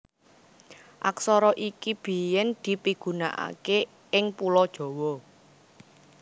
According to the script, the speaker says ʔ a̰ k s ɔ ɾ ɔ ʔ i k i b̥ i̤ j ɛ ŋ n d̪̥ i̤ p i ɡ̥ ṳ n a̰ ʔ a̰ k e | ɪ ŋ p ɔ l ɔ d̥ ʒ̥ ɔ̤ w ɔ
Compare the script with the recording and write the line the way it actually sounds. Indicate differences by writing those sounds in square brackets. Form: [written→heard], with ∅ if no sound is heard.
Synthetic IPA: ʔ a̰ k s ɔ ɾ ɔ ʔ i k i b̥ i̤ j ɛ [ŋ→∅] n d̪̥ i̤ p i ɡ̥ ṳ n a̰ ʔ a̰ k e | ɪ ŋ p [ɔ→u] l ɔ d̥ ʒ̥ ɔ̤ w ɔ